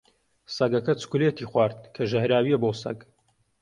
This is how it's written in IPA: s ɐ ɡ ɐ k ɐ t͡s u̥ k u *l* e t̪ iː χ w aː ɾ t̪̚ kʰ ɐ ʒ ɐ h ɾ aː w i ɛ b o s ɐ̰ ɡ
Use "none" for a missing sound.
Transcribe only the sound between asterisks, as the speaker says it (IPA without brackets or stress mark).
l